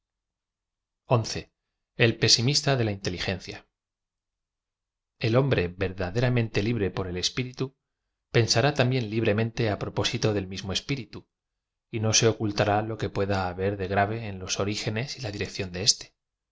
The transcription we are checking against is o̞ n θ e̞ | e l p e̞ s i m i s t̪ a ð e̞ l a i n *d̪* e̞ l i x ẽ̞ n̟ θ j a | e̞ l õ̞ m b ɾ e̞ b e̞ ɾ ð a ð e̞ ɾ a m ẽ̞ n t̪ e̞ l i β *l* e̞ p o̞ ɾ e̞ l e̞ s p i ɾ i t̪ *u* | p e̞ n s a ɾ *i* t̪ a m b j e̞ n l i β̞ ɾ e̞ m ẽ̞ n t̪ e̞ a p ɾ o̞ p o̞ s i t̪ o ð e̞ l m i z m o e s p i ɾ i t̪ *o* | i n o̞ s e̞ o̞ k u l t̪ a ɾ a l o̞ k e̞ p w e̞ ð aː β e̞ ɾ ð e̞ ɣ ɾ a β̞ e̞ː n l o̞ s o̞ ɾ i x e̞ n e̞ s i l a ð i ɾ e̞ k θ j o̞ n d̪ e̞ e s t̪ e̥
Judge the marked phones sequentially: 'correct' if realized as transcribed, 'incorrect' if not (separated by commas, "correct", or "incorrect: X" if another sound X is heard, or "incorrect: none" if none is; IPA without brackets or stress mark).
incorrect: t̪, incorrect: ɾ, correct, incorrect: a, incorrect: u